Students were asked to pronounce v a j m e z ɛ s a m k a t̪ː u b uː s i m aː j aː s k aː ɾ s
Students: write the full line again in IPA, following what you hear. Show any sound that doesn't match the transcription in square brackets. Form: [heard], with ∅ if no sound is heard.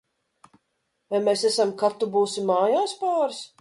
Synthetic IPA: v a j m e [s] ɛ s a m k a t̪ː u b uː s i m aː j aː s [p] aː ɾ s